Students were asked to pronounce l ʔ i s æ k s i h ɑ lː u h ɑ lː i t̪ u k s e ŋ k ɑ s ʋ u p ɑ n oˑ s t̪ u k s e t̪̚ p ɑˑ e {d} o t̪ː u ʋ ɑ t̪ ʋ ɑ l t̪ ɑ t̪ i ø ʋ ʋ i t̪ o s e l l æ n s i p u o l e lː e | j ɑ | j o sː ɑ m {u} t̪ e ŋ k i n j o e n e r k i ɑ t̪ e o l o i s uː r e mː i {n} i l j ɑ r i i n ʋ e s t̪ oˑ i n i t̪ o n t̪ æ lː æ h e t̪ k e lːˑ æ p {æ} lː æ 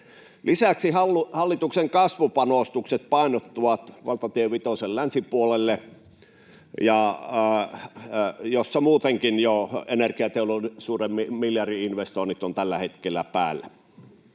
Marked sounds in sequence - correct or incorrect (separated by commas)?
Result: incorrect, incorrect, incorrect, incorrect